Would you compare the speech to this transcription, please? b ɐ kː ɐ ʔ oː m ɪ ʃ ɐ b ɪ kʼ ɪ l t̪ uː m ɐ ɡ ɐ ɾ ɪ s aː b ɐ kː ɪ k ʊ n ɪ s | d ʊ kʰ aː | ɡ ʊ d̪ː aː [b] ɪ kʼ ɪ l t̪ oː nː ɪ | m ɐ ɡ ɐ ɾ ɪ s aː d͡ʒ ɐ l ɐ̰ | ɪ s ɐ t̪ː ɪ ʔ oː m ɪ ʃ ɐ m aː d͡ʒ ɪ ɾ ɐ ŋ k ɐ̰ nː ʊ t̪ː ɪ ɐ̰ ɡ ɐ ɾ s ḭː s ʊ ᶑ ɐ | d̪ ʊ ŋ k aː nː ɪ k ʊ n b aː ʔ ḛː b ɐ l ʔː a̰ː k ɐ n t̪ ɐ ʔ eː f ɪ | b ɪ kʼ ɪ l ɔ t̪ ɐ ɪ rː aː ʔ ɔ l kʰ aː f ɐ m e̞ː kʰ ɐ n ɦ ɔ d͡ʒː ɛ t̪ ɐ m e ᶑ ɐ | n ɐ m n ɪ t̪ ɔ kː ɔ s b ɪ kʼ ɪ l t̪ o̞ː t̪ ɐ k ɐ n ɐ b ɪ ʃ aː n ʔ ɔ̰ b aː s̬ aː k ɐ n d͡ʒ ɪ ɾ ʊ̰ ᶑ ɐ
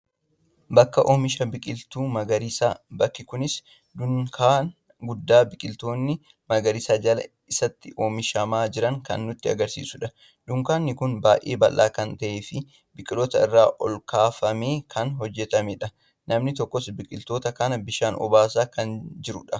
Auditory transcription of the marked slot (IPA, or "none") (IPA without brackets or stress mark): b